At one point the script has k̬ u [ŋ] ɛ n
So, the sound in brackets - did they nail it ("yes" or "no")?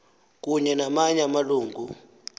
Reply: no